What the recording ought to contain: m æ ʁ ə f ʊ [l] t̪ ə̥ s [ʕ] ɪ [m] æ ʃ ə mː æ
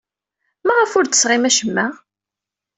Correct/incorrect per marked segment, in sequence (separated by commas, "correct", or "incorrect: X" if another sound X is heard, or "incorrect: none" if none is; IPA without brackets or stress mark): incorrect: ɾ, incorrect: ʁ, correct